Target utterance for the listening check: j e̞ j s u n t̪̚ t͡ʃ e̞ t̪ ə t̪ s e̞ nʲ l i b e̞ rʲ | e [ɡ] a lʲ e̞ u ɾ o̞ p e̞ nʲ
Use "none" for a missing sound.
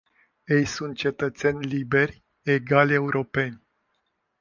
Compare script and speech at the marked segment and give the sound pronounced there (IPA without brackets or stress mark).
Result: ɡ